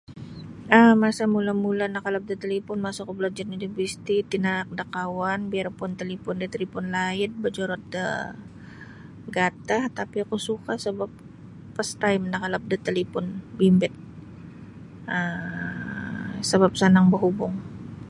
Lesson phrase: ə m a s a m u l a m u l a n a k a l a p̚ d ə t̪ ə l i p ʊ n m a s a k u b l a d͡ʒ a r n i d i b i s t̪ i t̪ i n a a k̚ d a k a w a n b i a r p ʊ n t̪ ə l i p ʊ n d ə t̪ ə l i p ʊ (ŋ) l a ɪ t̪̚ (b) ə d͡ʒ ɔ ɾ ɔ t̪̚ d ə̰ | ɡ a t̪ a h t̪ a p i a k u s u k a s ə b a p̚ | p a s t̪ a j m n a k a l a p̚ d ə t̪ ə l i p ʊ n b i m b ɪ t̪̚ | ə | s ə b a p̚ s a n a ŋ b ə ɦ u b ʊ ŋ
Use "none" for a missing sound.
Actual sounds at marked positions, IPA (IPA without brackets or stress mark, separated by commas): n, b